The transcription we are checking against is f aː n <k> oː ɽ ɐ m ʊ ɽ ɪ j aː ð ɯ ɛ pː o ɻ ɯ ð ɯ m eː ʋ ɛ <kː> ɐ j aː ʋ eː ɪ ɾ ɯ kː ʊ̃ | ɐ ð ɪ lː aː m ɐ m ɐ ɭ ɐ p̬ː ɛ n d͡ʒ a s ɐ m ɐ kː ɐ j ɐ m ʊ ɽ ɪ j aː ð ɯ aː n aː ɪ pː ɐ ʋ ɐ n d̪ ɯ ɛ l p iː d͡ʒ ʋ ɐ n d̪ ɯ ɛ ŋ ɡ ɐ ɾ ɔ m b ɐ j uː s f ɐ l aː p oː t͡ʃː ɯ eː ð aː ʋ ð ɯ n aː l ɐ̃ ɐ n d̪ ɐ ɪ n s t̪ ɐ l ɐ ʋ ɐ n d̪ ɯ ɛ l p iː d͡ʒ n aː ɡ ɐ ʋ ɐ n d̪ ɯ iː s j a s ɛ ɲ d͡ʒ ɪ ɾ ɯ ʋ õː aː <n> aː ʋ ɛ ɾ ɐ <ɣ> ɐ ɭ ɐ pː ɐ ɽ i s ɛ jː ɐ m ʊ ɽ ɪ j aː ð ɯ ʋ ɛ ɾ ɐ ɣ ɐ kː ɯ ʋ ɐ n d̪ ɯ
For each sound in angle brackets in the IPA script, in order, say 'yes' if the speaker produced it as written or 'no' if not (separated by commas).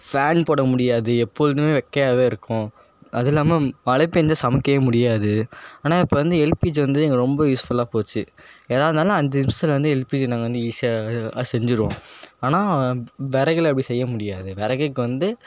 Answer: no, yes, yes, yes